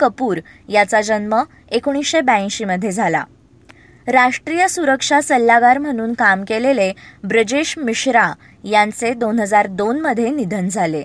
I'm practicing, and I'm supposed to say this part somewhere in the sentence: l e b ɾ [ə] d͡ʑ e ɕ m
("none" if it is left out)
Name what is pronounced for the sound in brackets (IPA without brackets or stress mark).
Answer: ə